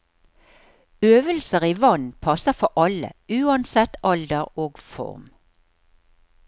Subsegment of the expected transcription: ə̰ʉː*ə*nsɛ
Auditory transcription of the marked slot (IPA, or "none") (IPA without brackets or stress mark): ɑ